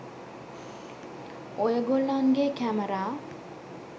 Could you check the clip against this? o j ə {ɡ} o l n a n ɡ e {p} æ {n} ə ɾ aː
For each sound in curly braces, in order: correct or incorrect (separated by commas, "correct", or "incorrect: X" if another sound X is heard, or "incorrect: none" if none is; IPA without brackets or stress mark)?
correct, incorrect: k, incorrect: m